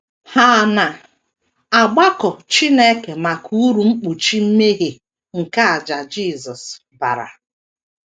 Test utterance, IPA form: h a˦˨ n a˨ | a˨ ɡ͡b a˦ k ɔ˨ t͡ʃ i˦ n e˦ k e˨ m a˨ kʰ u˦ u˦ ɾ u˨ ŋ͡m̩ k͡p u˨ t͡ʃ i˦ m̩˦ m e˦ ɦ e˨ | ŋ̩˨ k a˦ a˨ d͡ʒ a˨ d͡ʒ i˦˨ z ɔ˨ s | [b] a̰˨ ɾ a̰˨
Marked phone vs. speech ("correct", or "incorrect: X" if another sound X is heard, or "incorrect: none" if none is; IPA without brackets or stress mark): correct